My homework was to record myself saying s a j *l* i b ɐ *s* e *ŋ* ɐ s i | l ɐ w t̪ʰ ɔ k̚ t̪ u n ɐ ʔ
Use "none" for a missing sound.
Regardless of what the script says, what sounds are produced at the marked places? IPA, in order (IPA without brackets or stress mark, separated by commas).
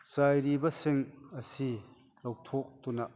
ɾ, s, ŋ